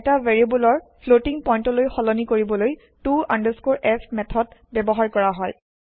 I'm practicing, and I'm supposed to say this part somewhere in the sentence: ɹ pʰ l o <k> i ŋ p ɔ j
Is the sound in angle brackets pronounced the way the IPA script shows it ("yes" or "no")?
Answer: no